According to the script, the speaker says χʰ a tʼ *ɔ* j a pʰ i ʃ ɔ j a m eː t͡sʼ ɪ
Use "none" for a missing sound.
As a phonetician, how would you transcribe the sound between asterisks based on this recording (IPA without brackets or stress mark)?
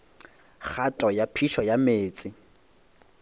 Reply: ɔ